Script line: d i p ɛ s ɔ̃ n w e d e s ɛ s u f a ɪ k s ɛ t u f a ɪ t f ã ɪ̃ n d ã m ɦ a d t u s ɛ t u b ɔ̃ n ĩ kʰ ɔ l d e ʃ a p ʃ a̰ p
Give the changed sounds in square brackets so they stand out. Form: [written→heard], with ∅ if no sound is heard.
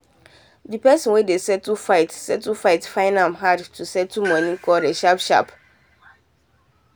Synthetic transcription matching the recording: d i p ɛ s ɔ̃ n w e d e s ɛ [s→t] u f a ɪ [k→t] s ɛ t u f a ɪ t f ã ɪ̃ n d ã m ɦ a d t u s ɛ t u [b→m] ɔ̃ n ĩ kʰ ɔ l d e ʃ a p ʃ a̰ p